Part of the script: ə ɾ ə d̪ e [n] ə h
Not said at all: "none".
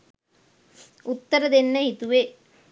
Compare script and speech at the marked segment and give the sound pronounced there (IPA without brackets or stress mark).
nː